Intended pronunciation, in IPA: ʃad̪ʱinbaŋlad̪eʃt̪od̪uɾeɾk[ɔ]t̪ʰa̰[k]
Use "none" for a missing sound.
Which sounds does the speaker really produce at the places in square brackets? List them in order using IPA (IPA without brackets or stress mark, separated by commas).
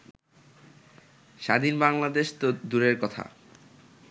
ɔ, none